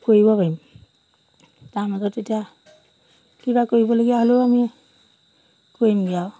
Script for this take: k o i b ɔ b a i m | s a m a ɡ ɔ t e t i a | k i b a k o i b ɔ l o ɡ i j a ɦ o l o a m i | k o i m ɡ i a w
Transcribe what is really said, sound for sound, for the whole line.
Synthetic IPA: k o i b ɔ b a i m | t a m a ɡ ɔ t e t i a | k i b a k o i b ɔ l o ɡ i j a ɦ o l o a m i | k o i m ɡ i a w